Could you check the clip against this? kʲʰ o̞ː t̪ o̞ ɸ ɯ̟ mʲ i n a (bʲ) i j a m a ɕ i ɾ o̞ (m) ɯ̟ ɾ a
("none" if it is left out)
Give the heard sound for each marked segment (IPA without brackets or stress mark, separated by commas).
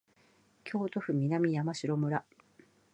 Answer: mʲ, m